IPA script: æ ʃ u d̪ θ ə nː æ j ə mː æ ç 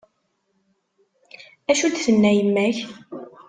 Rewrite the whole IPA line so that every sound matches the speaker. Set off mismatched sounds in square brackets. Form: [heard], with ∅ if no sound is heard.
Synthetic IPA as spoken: æ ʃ u d̪ θ ə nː æ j ə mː æ ç